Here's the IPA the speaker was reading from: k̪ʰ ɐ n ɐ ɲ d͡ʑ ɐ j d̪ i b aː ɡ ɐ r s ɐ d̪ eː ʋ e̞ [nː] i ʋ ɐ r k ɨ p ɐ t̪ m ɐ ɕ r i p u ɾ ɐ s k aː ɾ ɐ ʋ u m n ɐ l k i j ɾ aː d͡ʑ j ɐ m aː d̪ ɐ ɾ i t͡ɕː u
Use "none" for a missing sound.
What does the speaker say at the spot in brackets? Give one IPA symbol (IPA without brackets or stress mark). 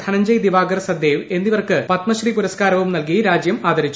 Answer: nː